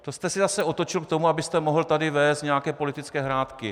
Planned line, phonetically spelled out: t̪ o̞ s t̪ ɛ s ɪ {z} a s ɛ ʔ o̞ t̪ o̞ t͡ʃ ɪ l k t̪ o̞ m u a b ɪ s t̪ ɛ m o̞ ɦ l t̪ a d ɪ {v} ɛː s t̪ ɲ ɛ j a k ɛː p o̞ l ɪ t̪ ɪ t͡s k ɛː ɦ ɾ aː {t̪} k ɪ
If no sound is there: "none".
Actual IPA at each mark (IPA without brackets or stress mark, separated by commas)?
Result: z, v, t̪